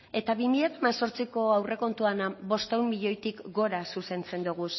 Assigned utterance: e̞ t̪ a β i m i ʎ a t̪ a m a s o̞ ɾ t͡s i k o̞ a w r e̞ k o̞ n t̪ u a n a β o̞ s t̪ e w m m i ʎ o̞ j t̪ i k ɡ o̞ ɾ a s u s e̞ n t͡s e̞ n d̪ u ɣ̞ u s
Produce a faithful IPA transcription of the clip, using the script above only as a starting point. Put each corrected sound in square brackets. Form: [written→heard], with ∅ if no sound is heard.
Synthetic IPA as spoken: e̞ t̪ a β i m i ʎ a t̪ a m a s o̞ ɾ t͡s i k o̞ a w r e̞ k o̞ n t̪ u a n a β o̞ s t̪ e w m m i ʎ o̞ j t̪ i k ɡ o̞ ɾ a s u s e̞ n t͡s e̞ n d̪ u ɣ̞ u s